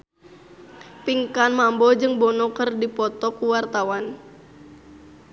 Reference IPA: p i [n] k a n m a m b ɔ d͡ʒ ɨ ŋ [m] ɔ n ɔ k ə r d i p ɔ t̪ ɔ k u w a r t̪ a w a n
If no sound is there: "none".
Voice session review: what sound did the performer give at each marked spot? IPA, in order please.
ŋ, b

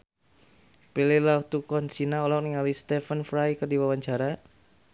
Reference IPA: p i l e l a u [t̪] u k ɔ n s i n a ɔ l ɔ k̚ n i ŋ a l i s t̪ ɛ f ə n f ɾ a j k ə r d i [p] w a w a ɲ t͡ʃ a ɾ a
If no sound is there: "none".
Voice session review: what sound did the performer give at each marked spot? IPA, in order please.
t̪, none

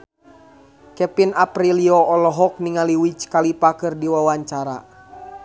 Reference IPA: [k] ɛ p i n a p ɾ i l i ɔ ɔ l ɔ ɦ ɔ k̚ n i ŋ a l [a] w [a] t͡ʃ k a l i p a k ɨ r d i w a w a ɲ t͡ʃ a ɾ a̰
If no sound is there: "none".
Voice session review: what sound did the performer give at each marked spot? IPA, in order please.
k, i, i

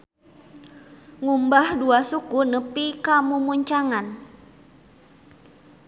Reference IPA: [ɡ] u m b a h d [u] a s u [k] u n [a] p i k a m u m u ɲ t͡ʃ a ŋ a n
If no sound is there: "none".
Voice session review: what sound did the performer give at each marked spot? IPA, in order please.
ŋ, u, k, ə

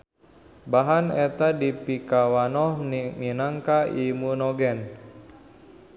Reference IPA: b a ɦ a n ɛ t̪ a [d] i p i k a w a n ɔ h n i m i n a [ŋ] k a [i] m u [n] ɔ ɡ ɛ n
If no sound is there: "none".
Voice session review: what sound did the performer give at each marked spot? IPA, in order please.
d, ŋ, i, n

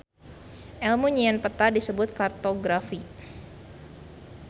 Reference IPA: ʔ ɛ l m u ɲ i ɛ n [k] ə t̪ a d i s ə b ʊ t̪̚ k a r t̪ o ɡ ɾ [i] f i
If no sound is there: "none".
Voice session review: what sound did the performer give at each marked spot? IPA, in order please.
p, a

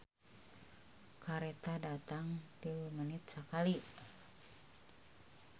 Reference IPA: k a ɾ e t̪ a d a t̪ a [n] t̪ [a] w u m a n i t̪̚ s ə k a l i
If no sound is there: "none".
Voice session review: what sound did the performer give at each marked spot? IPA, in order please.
ŋ, i

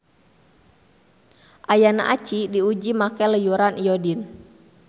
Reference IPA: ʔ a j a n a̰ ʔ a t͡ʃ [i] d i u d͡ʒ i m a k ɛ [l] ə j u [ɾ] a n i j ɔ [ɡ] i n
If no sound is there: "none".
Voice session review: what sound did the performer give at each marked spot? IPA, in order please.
i, l, ɾ, d

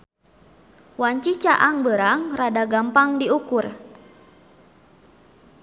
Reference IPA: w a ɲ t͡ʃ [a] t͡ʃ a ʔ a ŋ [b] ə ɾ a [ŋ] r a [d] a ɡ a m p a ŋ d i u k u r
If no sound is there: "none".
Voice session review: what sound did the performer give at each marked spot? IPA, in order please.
i, b, ŋ, d

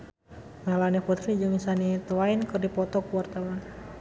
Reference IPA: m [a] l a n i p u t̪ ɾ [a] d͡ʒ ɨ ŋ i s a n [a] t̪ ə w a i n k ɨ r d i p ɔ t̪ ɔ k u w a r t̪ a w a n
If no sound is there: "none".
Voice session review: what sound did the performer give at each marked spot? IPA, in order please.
a, i, i

